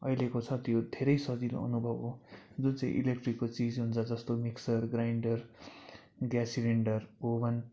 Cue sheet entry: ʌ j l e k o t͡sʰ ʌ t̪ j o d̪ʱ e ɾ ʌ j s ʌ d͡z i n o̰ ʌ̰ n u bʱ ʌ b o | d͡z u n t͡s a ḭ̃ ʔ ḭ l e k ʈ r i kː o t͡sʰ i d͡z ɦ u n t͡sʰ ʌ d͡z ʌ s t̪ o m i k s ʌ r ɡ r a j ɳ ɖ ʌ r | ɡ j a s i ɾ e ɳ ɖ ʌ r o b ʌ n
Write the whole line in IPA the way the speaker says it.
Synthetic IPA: ʌ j l e k o t͡sʰ ʌ t̪ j o d̪ʱ e ɾ ʌ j s ʌ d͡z i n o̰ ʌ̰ n u bʱ ʌ b o | d͡z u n t͡s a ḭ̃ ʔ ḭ l e k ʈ r i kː o t͡s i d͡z ɦ u n t͡sʰ ʌ d͡z ʌ s t̪ o m i k s ʌ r ɡ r a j ɳ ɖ ʌ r | ɡ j a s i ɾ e ɳ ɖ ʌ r o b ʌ n